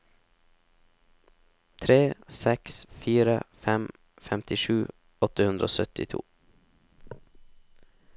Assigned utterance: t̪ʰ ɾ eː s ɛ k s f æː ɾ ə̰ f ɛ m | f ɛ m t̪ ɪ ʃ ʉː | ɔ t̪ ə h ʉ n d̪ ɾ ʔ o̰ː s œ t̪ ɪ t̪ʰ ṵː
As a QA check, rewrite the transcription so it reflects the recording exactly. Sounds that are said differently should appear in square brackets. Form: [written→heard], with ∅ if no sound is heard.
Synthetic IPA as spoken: t̪ʰ ɾ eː s ɛ k s f [æː→iː] ɾ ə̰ f ɛ m | f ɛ m t̪ ɪ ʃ ʉː | ɔ t̪ ə h ʉ n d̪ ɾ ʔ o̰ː s œ t̪ ɪ t̪ʰ ṵː